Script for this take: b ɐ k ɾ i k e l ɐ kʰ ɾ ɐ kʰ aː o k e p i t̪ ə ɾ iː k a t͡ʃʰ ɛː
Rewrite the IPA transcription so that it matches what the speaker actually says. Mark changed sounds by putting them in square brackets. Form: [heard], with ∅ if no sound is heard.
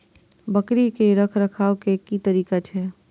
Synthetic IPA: b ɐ k ɾ i k e [ɾ] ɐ kʰ ɾ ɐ kʰ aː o k e [k] i t̪ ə ɾ iː k a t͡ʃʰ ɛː